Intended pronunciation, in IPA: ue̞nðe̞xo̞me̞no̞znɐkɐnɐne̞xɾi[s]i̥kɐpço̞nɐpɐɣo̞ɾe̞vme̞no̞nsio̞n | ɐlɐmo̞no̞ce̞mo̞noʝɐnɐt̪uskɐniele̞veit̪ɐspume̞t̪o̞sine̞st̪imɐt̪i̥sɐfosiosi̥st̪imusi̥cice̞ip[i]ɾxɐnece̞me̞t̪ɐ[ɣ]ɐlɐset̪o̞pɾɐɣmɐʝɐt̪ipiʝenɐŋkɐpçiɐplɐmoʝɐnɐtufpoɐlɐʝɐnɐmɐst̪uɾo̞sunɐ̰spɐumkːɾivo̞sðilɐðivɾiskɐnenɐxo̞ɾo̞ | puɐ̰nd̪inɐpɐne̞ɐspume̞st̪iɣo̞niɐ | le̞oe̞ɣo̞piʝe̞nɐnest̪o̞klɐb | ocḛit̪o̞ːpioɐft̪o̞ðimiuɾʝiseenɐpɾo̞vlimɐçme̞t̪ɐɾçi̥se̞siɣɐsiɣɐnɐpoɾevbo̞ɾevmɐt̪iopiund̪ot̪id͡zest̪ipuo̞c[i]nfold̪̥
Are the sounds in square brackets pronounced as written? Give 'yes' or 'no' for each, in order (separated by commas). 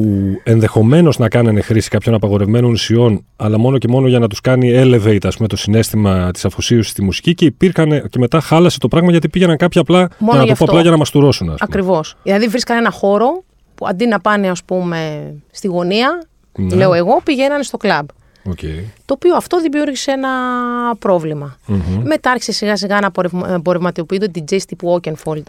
yes, yes, no, no